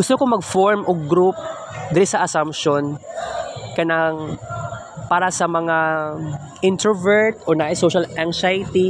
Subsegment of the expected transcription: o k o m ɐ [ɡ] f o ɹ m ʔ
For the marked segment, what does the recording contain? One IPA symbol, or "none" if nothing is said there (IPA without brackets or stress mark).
ɡ